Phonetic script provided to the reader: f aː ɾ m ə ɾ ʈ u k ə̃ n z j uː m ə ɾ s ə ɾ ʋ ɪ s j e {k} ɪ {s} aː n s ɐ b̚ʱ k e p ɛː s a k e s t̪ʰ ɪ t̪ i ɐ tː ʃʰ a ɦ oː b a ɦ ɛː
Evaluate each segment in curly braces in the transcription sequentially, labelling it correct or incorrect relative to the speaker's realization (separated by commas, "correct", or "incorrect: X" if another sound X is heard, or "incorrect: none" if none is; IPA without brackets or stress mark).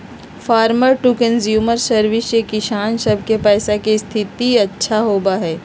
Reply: correct, incorrect: ʃ